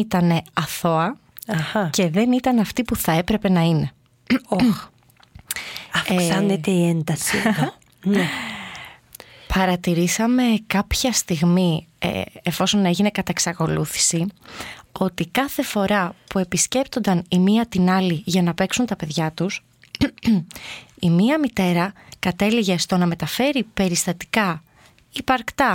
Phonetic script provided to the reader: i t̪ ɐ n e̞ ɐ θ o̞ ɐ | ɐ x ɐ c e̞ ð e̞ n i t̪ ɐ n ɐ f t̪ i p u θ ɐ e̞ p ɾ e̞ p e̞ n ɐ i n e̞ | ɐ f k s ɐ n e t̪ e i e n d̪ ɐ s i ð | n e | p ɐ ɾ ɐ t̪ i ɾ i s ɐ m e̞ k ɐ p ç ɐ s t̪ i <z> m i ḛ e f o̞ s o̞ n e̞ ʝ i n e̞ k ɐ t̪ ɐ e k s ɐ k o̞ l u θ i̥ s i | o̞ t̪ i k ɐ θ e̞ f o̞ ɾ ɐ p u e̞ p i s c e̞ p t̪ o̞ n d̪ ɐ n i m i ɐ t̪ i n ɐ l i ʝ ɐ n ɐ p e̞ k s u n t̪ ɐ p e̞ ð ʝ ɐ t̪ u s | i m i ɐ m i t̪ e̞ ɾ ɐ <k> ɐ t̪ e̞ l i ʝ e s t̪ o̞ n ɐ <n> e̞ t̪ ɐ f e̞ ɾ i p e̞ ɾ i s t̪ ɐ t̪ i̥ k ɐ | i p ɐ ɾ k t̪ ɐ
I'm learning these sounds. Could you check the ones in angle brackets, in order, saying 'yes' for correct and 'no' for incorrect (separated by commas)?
no, yes, no